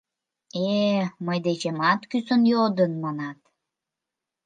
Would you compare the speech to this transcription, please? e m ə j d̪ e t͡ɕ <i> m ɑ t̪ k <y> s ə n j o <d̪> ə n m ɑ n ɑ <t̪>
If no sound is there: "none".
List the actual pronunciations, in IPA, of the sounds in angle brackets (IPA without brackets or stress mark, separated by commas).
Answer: e, y, d̪, t̪